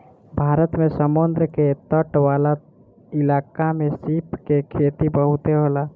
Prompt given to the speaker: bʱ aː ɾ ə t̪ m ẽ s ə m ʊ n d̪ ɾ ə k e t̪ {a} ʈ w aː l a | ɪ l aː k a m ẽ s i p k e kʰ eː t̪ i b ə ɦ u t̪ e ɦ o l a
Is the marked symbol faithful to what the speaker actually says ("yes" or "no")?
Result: no